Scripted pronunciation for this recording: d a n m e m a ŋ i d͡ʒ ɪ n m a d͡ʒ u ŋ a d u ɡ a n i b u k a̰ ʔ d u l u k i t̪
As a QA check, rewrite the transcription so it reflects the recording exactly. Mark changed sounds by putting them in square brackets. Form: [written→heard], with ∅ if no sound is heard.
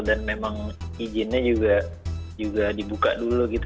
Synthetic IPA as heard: d a n m e m a ŋ i d͡ʒ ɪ n [m→ɲ] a d͡ʒ u [ŋ→ɡ] a [d→d͡ʒ] u ɡ a [n→d] i b u k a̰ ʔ d u l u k i t̪

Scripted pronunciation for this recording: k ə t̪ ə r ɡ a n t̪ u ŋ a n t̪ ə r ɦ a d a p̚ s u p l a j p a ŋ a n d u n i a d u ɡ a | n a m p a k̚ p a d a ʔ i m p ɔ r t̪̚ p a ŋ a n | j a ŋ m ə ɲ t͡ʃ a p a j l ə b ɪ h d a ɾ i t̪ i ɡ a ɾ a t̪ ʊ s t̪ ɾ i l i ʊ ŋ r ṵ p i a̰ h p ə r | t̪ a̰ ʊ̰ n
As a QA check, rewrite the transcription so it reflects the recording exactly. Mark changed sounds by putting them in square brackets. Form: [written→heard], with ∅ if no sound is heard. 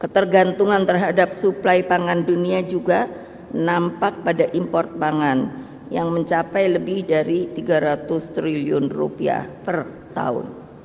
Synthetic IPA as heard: k ə t̪ ə r ɡ a n t̪ u ŋ a n t̪ ə r ɦ a d a p̚ s u p l a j p a ŋ a n d u n i a [d→d͡ʒ] u ɡ a | n a m p a k̚ p a d a ʔ i m p ɔ r t̪̚ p a ŋ a n | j a ŋ m ə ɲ t͡ʃ a p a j l ə b ɪ h d a ɾ i t̪ i ɡ a ɾ a t̪ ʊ s t̪ ɾ i l i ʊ [ŋ→n] r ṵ p i a̰ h p ə r | t̪ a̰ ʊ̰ n

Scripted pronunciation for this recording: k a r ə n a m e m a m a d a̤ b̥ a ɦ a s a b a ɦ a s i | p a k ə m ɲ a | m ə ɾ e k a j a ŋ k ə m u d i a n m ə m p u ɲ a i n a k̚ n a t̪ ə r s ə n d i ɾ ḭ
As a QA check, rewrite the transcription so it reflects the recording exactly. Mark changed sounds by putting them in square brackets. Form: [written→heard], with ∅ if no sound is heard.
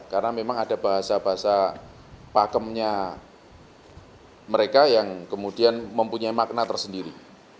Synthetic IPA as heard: k a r ə n a m e m a [m→ŋ] a d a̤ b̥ a ɦ a s a b a ɦ a s [i→a] | p a k ə m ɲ a | m ə ɾ e k a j a ŋ k ə m u d i a n m ə m p u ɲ a i [n→m] a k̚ n a t̪ ə r s ə n d i ɾ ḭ

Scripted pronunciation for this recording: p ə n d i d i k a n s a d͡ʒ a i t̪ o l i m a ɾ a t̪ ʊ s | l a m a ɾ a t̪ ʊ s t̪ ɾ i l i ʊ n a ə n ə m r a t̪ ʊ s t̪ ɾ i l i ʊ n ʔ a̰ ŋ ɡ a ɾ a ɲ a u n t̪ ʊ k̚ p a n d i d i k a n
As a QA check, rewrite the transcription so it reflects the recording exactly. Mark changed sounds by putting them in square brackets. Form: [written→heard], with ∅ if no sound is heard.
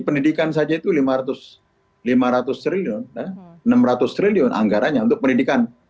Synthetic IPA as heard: p ə n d i d i k a n s a d͡ʒ a i t̪ [o→u] l i m a ɾ a t̪ ʊ s | l [a→i] m a ɾ a t̪ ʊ s t̪ ɾ i l i ʊ n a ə n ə m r a t̪ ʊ s t̪ ɾ i l i ʊ n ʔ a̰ ŋ ɡ a ɾ a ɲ a u n t̪ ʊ k̚ p [a→ə] n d i d i k a n

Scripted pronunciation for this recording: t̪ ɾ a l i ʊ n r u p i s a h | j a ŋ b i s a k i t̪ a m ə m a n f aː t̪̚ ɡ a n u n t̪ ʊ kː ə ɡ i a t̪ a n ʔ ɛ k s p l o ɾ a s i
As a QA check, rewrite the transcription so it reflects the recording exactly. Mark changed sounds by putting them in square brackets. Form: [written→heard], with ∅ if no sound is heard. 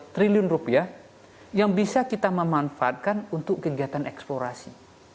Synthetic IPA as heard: t̪ ɾ [a→i] l i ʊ n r u p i [s→∅] a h | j a ŋ b i s a k i t̪ a m ə m a n f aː t̪̚ [ɡ→k] a n u n t̪ ʊ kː ə ɡ i a t̪ a n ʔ ɛ k s p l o ɾ a s i

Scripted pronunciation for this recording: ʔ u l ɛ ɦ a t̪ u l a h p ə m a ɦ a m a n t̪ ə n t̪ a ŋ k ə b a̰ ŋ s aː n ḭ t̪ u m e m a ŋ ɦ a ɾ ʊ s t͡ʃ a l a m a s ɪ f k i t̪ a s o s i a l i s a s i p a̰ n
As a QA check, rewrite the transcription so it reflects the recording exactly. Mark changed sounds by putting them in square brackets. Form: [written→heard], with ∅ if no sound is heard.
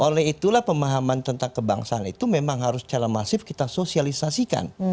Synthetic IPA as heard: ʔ [u→o] l ɛ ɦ [a→i] t̪ u l a h p ə m a ɦ a m a n t̪ ə n t̪ a ŋ k ə b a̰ ŋ s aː n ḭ t̪ u m e m a ŋ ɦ a ɾ ʊ s t͡ʃ a [l→ɾ] a m a s ɪ f k i t̪ a s o s i a l i s a s i [p→k] a̰ n

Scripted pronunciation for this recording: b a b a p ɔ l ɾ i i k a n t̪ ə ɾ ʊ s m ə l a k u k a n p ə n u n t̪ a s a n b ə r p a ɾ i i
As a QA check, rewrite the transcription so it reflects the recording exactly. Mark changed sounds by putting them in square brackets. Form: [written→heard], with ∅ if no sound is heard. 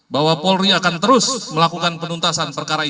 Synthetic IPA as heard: b a [b→w] a p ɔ l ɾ i [i→a] k a n t̪ ə ɾ ʊ s m ə l a k u k a n p ə n u n t̪ a s a n [b→p] ə r [p→k] a ɾ [i→a] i

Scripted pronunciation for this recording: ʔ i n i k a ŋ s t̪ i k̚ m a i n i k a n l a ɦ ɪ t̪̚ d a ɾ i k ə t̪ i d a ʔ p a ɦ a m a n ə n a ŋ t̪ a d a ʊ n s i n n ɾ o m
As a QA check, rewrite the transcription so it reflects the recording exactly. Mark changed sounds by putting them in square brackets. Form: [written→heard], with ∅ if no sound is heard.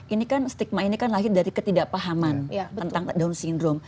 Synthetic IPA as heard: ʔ i n i k a [ŋ→n] s t̪ i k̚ m a i n i k a n l a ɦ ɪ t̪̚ d a ɾ i k ə t̪ i d a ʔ p a ɦ a m a n ə n a ŋ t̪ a d a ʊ n s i n [n→d] ɾ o m

